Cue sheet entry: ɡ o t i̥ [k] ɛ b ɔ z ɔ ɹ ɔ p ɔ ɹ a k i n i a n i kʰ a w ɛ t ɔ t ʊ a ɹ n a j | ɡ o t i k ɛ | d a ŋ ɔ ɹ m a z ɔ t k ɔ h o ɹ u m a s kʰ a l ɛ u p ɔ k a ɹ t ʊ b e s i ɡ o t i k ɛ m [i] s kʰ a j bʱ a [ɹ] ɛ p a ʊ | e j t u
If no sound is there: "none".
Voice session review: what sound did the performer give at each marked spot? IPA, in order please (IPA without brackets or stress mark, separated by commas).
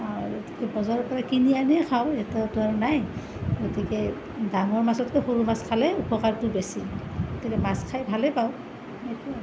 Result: k, a, l